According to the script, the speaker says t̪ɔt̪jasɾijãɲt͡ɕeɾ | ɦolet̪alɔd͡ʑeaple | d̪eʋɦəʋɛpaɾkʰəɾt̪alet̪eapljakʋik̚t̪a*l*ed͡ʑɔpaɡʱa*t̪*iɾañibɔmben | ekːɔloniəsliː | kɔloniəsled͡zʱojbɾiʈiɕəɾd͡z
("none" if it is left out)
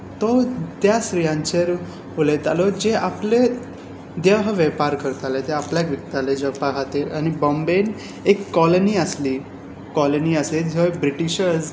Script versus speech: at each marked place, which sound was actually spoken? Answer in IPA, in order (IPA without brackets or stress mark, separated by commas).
l, t̪